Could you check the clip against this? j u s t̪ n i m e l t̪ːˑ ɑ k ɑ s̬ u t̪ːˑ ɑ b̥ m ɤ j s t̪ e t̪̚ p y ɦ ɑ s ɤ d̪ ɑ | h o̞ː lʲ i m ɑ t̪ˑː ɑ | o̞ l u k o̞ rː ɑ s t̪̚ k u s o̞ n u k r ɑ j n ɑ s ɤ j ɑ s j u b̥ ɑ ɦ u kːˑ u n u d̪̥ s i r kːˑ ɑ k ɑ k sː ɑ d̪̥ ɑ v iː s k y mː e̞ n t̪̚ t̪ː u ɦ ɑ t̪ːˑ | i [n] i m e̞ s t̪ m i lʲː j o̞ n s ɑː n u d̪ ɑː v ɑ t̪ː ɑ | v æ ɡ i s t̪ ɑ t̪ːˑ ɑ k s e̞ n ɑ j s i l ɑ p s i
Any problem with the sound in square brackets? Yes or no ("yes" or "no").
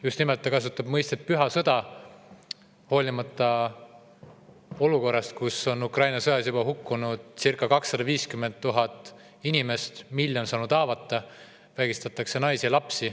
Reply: no